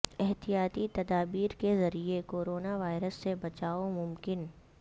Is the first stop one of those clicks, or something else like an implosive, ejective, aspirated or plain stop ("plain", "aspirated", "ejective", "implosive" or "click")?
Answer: plain